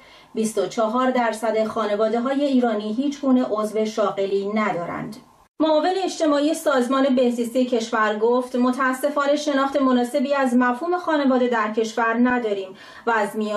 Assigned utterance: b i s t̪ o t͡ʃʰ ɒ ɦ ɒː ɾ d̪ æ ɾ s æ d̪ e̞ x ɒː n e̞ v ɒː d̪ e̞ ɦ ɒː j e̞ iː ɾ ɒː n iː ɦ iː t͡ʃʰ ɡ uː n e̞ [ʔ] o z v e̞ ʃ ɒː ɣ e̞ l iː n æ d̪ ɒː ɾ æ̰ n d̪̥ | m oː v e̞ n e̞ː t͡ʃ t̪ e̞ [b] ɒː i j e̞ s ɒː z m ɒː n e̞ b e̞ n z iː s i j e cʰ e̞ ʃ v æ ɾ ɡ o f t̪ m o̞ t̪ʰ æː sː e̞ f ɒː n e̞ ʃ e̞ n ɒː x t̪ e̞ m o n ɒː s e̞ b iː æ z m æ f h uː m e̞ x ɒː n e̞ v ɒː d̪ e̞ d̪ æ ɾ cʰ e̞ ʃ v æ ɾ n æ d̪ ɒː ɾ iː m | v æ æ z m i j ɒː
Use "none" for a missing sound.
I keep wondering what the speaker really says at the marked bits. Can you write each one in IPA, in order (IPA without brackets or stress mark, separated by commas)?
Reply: ʔ, m